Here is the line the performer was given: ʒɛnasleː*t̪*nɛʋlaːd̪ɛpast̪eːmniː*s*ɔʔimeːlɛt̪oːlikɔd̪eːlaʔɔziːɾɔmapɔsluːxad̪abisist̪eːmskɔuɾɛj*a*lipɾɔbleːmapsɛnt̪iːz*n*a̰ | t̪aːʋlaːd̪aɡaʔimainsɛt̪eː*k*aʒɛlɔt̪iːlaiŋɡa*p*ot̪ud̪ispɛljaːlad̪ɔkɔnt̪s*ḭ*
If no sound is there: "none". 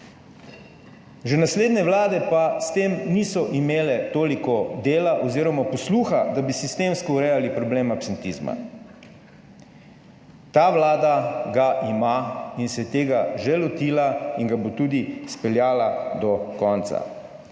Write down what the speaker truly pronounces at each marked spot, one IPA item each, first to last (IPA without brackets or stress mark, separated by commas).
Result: d̪, s, a, m, ɡ, b, a̰